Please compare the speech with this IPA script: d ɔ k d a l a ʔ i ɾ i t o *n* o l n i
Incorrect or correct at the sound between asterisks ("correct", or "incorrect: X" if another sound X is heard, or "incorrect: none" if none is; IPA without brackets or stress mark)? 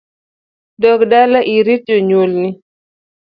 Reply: incorrect: ɲ